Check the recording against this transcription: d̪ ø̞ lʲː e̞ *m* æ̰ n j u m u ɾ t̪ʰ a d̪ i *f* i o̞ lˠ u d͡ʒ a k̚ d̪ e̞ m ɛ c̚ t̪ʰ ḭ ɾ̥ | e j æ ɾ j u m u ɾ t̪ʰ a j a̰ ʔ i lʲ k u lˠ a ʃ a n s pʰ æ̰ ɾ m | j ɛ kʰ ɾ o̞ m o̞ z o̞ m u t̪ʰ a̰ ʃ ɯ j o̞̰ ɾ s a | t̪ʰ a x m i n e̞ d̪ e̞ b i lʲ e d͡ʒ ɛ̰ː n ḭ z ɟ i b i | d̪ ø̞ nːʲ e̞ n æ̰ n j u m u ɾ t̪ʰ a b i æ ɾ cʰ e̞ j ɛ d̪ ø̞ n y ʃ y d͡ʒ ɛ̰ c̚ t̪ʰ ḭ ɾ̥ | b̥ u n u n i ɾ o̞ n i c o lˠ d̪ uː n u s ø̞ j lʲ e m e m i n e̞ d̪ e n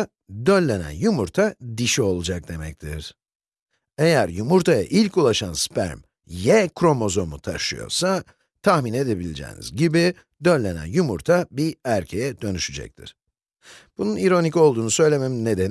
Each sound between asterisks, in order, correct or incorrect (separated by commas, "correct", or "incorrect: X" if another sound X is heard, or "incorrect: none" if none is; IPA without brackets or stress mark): incorrect: n, incorrect: ʃ